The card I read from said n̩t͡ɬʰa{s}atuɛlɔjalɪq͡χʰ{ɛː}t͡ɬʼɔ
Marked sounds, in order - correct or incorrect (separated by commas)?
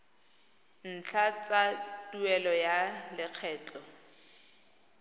incorrect, correct